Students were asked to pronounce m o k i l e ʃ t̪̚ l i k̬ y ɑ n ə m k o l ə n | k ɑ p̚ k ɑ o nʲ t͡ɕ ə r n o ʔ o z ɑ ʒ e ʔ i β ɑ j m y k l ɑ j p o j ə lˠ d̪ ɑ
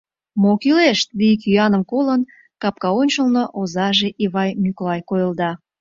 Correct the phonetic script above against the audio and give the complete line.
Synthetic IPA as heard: m o k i l e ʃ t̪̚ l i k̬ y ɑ n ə m k o l ə n | k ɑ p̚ k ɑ o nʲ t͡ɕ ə l n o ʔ o z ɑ ʒ e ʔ i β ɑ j m y k l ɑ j k o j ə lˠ d̪ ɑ